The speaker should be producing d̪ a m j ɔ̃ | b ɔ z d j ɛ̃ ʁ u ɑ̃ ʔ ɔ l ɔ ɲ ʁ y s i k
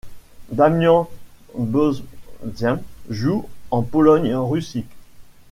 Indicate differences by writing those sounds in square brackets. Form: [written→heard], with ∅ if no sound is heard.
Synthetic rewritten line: d̪ a m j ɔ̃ | b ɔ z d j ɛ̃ [ʁ→ʒ] u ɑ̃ [ʔ→p] ɔ l ɔ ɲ ʁ y s i k